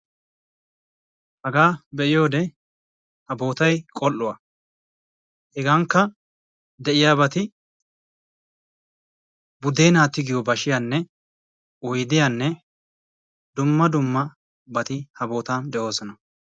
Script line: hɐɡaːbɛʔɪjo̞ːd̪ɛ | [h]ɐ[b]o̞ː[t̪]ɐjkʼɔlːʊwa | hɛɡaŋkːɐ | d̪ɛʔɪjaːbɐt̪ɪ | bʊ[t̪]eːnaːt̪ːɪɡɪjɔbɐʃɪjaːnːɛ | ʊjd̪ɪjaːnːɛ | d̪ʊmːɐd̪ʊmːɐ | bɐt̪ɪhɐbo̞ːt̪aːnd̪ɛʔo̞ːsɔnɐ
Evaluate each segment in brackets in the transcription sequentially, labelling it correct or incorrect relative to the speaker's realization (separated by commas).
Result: correct, correct, correct, incorrect